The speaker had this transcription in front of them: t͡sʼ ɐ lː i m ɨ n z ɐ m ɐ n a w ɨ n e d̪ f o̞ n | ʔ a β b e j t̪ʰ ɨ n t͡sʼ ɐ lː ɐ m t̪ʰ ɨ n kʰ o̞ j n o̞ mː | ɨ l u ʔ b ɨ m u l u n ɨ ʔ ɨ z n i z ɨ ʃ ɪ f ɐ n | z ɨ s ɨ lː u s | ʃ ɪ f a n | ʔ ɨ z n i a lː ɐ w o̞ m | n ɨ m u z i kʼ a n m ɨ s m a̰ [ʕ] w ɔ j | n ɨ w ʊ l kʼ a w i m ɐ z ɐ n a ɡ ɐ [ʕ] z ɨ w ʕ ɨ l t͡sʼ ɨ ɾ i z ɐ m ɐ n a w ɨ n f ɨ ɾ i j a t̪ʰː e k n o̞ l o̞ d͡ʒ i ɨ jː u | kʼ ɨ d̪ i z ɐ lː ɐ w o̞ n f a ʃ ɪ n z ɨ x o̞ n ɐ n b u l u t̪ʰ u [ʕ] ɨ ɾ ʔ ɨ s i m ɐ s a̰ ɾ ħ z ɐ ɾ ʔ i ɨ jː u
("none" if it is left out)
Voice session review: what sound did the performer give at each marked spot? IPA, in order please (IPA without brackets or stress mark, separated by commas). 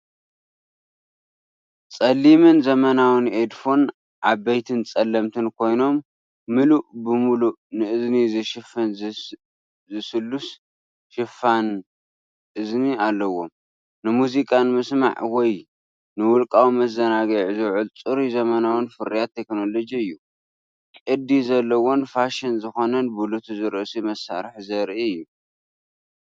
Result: ʕ, ʕ, z